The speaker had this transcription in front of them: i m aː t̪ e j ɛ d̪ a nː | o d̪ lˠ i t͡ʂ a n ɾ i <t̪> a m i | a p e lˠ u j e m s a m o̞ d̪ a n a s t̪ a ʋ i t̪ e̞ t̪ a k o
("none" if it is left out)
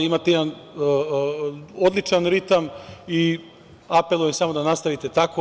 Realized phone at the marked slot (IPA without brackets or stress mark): t̪